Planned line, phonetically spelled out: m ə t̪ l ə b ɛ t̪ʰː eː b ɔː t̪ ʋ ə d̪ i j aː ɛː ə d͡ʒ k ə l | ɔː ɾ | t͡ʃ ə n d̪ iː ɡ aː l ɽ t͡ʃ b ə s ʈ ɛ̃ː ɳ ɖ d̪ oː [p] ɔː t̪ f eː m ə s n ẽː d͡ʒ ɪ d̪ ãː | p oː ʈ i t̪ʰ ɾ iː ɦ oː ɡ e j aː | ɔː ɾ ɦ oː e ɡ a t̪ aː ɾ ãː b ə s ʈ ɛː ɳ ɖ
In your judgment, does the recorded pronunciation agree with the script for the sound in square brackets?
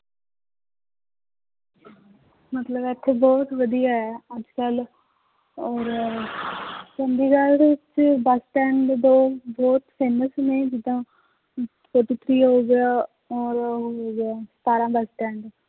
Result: no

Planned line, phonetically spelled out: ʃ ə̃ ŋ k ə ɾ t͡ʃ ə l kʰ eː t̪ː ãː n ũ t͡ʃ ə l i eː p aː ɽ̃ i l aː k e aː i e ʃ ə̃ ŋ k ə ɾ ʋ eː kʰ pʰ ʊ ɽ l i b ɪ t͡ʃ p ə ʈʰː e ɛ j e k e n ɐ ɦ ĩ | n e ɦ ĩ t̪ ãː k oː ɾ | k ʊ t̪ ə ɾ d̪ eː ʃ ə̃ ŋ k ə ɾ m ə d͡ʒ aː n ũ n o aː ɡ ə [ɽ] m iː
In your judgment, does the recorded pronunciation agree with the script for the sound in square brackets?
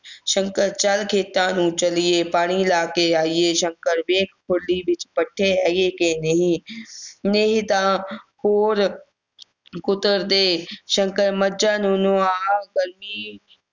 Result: no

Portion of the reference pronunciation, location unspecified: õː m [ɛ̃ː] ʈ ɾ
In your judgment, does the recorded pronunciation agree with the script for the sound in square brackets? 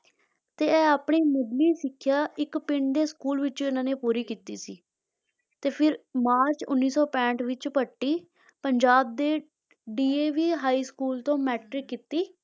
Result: no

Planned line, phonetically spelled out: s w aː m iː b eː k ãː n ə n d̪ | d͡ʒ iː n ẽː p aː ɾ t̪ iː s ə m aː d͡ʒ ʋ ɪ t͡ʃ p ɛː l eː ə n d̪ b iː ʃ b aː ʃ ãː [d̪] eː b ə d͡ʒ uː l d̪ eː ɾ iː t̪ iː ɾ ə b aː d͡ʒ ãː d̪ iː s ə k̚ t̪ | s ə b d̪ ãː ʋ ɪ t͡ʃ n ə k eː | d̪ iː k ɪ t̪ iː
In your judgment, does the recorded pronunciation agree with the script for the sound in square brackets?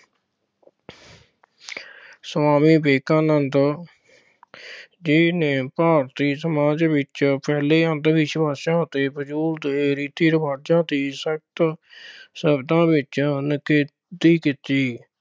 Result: no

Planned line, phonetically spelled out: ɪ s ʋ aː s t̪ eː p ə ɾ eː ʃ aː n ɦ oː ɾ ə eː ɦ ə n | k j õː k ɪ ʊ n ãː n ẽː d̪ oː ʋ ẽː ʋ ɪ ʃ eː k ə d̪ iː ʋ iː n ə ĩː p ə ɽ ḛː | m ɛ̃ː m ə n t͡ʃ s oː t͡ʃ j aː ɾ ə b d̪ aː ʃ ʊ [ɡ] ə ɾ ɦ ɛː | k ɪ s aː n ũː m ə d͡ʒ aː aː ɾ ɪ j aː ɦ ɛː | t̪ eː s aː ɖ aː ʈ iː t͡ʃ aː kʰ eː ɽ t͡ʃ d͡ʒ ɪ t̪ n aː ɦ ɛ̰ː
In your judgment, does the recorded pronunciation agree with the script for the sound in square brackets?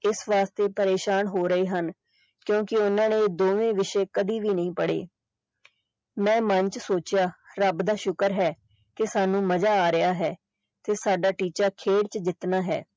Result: no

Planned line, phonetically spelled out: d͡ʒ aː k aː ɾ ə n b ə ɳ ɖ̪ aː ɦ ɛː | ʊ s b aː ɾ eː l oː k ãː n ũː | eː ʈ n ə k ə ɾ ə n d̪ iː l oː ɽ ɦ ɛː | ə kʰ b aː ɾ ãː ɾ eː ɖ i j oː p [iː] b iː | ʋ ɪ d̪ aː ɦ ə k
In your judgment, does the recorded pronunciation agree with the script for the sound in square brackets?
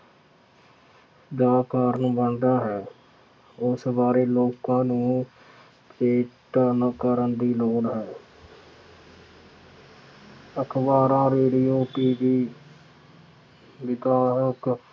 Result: yes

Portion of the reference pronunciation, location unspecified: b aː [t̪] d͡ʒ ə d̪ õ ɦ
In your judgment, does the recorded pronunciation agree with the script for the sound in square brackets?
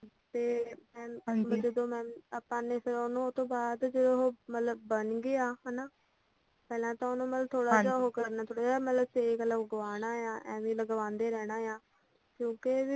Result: no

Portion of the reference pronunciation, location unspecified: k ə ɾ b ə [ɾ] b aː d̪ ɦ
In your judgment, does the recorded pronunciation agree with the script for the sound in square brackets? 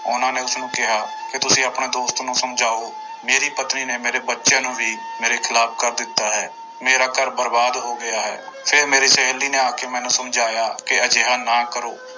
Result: yes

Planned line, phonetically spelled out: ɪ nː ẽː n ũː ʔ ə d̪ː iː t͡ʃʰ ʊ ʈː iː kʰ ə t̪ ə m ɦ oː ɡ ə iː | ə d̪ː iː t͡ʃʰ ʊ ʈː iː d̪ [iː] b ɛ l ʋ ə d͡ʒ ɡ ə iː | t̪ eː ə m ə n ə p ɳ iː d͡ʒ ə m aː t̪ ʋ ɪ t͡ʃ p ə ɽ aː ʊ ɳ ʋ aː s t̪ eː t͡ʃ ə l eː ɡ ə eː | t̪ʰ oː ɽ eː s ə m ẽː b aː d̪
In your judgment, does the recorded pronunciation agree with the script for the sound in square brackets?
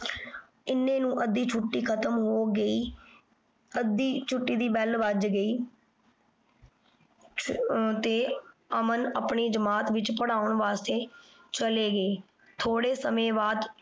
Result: yes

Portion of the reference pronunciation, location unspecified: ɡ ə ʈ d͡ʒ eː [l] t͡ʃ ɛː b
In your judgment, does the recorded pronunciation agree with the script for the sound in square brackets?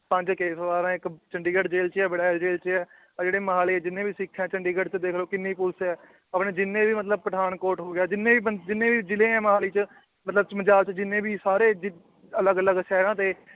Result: yes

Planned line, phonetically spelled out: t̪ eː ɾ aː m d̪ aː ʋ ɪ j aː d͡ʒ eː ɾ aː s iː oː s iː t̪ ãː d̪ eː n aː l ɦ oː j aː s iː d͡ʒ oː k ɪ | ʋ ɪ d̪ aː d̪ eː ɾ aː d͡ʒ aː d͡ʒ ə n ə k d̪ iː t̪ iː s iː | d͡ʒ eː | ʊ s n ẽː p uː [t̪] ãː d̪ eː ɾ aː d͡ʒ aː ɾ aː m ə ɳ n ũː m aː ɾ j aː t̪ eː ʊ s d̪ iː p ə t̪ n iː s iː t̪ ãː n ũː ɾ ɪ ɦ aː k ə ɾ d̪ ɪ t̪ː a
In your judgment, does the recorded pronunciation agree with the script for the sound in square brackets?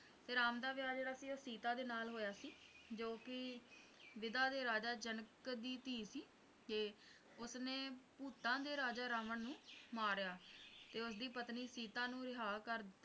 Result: yes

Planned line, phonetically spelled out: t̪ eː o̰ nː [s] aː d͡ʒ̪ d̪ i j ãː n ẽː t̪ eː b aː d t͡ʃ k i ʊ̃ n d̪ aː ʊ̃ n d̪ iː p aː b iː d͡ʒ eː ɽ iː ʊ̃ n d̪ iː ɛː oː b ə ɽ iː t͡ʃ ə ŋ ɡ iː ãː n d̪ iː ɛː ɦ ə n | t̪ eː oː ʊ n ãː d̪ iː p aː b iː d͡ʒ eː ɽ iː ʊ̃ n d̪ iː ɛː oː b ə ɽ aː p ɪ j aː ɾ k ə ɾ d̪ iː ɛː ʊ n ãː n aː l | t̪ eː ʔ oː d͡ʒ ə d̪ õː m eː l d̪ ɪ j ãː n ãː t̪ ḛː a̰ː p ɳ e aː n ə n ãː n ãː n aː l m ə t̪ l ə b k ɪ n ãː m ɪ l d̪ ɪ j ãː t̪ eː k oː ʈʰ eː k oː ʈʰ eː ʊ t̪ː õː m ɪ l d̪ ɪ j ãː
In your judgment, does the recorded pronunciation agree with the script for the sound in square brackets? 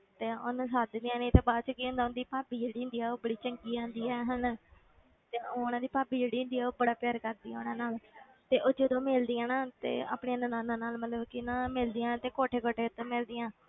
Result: yes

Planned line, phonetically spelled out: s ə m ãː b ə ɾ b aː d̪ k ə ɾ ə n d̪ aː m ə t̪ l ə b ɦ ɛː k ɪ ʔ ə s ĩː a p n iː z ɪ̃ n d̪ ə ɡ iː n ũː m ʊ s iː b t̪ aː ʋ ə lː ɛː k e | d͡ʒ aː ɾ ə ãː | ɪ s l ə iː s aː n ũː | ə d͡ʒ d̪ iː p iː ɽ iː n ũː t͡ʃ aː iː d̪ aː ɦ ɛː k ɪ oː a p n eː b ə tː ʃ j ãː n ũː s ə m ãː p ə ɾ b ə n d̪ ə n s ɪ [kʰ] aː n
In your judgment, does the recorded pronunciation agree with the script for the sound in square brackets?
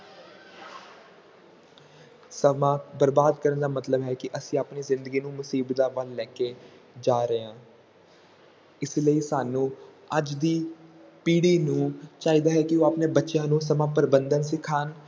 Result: yes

